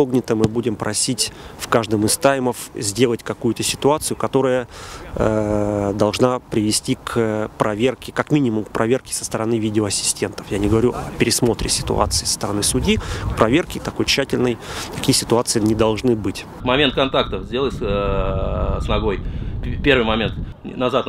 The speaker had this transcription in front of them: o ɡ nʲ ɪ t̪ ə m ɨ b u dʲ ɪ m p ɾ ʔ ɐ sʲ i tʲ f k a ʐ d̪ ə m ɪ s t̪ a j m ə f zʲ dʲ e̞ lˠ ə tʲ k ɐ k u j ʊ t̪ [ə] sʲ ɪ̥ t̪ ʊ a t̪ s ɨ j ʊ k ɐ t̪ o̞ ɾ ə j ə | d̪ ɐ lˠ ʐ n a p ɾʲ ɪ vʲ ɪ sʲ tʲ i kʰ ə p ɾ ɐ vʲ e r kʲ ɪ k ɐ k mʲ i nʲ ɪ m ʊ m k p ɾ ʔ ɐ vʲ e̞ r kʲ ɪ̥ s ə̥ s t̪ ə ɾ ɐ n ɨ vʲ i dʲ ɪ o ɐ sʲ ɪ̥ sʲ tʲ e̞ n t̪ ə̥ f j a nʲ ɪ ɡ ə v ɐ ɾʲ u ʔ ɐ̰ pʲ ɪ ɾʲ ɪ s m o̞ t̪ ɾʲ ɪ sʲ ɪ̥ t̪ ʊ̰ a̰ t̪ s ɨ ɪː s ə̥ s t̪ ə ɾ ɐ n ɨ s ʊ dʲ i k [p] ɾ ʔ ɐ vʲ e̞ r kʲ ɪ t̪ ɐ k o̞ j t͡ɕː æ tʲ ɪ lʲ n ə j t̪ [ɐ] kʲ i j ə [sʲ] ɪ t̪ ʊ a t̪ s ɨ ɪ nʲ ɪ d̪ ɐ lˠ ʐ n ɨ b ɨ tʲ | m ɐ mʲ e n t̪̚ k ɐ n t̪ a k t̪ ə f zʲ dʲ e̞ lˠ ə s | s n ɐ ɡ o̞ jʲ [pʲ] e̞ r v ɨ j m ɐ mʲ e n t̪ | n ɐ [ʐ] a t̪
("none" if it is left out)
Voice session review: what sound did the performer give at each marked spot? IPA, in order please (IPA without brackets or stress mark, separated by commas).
ə, p, ɐ, sʲ, pʲ, z